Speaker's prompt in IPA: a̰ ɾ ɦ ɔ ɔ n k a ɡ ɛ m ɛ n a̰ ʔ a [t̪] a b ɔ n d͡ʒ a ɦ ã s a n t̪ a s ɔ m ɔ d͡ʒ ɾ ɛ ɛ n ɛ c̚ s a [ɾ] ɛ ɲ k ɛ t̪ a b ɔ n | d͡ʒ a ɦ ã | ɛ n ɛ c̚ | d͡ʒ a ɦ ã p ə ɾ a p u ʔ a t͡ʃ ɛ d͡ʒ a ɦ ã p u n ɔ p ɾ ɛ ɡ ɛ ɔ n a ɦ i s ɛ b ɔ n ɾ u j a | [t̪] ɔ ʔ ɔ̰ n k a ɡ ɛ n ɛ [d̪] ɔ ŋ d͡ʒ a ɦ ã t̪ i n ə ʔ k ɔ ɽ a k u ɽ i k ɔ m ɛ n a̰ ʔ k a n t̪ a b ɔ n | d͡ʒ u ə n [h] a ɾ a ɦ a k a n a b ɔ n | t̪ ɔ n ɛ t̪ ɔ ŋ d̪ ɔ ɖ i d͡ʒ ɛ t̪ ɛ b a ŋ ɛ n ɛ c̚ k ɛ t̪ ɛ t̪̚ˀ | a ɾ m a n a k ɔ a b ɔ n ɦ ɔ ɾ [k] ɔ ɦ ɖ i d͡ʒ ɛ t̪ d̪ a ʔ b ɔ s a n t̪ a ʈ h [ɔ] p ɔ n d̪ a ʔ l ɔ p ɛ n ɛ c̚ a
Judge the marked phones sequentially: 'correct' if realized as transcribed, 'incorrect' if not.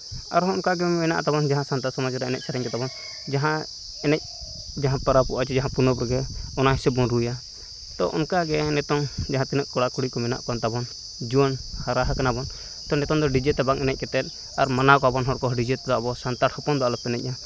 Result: correct, correct, correct, incorrect, correct, correct, correct

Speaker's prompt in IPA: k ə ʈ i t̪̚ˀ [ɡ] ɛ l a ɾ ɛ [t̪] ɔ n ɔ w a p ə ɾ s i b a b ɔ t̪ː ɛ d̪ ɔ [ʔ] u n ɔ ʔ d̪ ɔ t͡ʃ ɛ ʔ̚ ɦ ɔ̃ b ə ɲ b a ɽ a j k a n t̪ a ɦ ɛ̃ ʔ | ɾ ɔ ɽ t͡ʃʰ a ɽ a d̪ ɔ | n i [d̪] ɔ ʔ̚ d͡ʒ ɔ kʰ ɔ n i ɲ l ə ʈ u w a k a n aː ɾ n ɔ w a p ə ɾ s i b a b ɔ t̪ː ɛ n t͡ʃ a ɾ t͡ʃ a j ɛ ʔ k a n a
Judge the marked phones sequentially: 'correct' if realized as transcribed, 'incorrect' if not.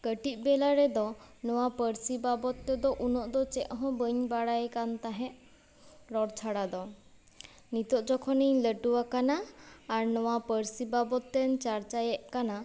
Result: incorrect, incorrect, correct, incorrect

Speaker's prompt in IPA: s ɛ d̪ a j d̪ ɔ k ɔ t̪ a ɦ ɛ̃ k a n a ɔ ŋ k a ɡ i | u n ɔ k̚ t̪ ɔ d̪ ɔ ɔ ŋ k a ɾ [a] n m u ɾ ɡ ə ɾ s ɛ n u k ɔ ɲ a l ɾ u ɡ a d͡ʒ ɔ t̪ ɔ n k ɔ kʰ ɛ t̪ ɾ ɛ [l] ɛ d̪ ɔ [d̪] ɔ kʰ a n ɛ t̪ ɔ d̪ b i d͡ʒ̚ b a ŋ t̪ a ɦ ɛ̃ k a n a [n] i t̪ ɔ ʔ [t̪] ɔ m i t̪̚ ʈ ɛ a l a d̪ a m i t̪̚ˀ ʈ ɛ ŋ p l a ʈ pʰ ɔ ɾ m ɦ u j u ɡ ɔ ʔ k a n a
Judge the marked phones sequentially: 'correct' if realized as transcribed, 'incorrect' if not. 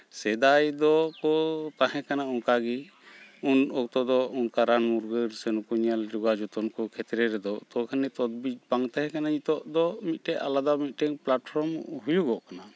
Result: correct, incorrect, incorrect, incorrect, incorrect

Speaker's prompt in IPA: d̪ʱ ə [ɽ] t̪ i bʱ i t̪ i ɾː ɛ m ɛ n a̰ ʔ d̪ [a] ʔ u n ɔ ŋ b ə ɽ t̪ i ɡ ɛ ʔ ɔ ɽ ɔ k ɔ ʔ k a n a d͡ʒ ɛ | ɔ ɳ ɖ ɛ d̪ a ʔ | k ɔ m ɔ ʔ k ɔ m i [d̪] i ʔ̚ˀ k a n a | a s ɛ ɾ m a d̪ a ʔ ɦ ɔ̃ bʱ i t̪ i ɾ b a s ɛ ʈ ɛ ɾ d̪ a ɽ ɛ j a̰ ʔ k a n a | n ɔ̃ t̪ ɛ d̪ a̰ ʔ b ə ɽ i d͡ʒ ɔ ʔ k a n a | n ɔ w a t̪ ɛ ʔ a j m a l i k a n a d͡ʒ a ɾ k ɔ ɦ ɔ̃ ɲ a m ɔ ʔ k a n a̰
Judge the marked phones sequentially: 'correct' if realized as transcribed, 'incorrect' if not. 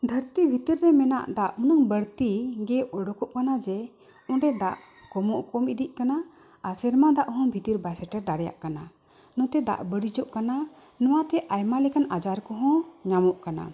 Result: incorrect, correct, correct

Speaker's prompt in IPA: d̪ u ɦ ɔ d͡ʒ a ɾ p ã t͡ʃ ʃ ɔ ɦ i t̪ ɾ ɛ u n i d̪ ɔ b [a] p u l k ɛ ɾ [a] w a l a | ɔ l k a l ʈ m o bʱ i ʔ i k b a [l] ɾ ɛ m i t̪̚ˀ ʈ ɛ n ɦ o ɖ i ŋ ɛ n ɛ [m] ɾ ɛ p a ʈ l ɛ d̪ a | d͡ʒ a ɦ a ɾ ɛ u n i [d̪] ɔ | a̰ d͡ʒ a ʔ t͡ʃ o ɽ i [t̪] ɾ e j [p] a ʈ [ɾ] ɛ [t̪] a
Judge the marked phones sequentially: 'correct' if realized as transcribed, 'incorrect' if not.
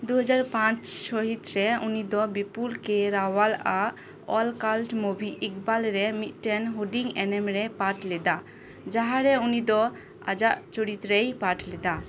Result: incorrect, correct, correct, correct, correct, correct, correct, incorrect, incorrect

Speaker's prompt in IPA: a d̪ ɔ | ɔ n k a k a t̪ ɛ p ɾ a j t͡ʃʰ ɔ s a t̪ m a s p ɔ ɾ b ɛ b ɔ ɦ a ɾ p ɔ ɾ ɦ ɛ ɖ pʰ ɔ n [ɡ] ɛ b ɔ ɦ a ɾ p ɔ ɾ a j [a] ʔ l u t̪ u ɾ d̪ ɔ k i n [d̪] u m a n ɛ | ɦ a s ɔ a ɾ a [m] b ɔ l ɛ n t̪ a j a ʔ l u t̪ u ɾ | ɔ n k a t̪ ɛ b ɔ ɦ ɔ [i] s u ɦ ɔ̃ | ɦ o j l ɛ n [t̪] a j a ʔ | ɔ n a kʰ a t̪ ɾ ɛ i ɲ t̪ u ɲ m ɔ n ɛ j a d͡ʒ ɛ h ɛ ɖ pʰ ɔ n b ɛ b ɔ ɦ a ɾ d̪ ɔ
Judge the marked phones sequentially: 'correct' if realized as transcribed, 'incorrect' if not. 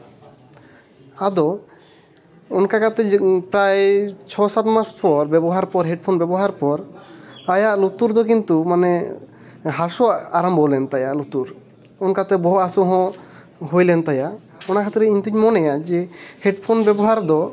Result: incorrect, correct, incorrect, correct, incorrect, correct

